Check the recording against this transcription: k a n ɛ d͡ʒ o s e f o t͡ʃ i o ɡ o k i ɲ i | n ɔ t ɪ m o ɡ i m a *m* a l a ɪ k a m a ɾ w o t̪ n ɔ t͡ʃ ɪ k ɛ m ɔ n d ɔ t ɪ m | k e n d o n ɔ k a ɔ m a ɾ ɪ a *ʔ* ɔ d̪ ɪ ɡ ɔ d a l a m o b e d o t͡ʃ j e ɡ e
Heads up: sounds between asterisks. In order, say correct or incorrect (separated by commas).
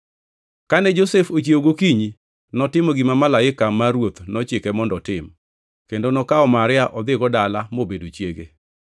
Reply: correct, correct